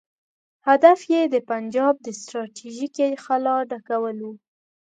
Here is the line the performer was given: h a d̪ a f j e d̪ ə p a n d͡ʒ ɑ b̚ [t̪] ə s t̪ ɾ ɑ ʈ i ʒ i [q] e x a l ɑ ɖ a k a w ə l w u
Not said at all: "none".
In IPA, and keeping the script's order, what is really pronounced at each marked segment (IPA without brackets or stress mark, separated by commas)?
d̪, k